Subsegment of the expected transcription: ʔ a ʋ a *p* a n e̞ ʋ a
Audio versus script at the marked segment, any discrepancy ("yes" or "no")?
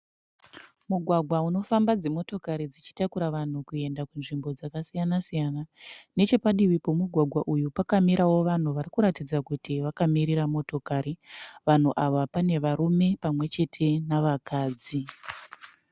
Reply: no